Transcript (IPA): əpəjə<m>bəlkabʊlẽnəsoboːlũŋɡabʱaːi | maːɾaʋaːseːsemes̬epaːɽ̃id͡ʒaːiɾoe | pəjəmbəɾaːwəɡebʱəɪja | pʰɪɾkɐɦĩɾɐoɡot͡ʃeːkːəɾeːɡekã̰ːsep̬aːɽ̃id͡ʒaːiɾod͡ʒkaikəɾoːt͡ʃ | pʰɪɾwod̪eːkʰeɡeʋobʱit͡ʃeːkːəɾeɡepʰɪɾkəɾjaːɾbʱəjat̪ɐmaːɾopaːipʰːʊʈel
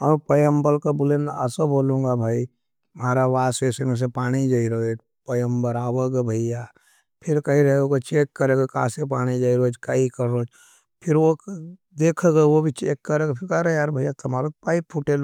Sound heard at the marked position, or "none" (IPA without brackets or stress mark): m